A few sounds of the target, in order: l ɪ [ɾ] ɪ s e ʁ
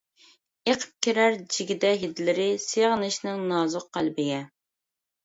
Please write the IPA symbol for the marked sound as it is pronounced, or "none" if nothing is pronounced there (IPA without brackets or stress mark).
ɾ